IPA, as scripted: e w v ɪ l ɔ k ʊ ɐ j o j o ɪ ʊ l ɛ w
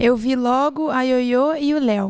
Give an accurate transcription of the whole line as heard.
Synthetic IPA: e w v i l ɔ ɡ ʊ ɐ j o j o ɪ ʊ l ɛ w